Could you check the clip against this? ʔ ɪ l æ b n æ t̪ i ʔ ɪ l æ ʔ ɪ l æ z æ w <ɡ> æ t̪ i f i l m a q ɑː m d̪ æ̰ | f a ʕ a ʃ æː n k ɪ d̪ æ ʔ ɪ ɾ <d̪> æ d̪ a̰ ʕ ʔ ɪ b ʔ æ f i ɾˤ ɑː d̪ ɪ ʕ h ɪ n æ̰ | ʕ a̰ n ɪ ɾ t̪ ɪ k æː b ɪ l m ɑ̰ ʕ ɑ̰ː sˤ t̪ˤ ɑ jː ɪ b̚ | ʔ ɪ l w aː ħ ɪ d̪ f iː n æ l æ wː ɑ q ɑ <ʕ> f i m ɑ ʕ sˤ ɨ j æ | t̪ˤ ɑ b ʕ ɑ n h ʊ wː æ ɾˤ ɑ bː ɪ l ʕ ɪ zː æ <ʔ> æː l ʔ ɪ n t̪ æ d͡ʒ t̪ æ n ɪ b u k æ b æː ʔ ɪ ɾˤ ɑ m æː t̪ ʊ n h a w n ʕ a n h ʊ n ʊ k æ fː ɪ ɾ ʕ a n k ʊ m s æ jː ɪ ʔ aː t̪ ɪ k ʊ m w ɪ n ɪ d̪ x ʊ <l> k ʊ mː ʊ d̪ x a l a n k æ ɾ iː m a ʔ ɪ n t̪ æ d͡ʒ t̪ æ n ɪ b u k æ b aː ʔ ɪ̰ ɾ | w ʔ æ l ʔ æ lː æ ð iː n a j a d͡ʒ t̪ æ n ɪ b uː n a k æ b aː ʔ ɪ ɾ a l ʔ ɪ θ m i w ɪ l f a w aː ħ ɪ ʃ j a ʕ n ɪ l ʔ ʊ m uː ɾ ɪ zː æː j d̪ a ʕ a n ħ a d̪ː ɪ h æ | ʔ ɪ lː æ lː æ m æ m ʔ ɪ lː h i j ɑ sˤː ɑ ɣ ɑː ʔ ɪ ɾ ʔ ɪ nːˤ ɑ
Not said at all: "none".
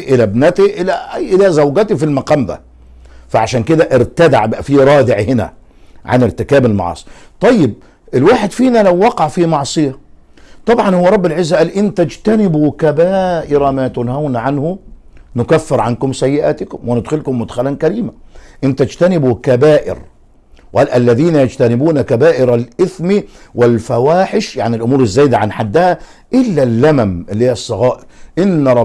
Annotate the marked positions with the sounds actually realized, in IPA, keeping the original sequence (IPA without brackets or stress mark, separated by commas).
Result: ɡ, t̪, ʕ, ʔ, l